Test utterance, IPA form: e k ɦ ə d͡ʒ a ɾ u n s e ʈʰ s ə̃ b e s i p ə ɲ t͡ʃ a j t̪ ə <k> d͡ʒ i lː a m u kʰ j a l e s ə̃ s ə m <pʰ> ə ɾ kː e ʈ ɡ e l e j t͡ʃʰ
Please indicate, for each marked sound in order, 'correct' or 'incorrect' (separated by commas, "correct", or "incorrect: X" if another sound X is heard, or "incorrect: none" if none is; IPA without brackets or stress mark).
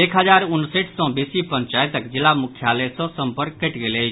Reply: correct, incorrect: p